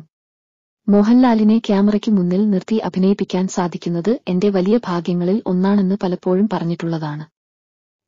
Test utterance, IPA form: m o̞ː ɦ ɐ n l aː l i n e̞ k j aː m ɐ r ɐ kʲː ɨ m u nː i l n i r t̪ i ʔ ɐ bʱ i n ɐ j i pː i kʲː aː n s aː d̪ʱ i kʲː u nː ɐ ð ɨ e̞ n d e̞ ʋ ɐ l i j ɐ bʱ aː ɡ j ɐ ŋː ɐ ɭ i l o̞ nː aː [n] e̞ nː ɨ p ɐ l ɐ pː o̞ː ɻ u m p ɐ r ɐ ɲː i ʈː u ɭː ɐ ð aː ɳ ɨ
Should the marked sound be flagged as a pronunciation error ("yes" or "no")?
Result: yes